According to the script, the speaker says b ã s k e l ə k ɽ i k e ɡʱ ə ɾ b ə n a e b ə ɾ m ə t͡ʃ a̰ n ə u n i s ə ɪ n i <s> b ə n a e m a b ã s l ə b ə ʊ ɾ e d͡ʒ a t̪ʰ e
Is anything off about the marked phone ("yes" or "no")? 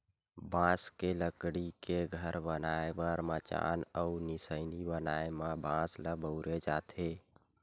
yes